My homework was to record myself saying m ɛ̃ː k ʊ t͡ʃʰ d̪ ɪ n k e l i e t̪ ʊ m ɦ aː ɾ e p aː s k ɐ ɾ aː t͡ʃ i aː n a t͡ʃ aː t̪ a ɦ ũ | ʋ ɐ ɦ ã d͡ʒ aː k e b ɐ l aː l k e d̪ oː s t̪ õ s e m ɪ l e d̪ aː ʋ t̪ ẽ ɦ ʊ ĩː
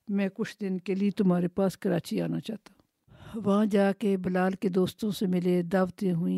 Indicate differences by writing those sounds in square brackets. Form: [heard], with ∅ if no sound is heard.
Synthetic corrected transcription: m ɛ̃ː k ʊ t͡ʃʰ d̪ ɪ n k e l i e t̪ ʊ m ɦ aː ɾ e p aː s k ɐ ɾ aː t͡ʃ i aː n a t͡ʃ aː t̪ a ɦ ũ | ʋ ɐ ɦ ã d͡ʒ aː k e b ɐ l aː l k e d̪ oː s t̪ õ s e m ɪ l e d̪ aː ʋ t̪ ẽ ɦ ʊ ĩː